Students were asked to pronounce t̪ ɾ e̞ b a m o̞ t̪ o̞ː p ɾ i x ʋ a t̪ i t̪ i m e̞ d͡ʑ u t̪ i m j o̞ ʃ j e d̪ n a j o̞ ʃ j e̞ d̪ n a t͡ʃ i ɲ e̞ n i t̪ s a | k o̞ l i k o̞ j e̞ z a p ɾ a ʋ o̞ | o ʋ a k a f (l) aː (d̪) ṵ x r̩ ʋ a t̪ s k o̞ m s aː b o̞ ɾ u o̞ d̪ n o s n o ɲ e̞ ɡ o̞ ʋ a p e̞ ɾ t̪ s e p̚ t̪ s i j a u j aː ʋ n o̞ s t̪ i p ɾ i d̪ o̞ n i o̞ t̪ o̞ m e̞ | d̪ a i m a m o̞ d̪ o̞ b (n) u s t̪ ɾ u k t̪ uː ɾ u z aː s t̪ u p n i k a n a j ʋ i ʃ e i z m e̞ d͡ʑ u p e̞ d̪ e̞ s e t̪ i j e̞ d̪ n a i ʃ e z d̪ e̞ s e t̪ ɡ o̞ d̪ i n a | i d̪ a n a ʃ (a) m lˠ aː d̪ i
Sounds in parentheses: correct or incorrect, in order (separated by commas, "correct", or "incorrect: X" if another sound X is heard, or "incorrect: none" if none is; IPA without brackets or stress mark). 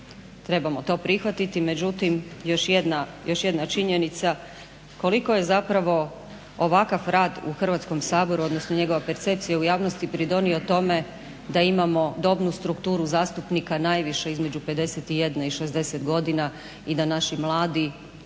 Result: incorrect: ɾ, correct, correct, incorrect: i